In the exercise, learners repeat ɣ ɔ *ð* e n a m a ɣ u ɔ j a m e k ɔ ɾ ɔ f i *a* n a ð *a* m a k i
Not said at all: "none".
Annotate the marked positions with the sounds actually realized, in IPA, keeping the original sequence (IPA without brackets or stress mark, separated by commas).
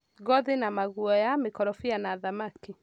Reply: ð, a, a